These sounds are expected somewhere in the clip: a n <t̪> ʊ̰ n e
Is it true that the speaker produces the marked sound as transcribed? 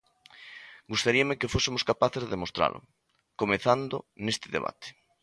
no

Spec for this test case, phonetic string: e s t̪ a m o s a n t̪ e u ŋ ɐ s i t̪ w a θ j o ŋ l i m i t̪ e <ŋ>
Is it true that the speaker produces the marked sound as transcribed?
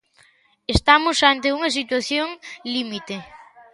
no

